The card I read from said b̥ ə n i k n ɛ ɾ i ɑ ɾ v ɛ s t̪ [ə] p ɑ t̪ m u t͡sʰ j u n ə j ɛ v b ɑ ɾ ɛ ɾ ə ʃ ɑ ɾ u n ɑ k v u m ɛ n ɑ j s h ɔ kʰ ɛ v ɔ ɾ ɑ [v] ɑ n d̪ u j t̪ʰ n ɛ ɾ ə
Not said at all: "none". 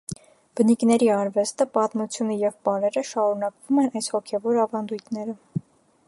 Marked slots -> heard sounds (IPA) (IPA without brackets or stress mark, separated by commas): ə, v